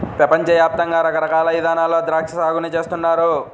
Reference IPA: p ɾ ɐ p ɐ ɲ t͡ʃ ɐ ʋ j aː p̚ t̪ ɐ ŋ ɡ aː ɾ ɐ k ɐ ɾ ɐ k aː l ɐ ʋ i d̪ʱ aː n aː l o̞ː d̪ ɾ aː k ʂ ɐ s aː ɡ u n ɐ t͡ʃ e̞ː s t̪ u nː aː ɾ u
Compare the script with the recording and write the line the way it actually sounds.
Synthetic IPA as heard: p ɾ ɐ p ɐ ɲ t͡ʃ ɐ ʋ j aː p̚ t̪ ɐ ŋ ɡ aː ɾ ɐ k ɐ ɾ ɐ k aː l ɐ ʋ i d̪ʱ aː n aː l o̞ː d̪ ɾ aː k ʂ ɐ s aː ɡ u n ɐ t͡ʃ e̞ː s t̪ u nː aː ɾ u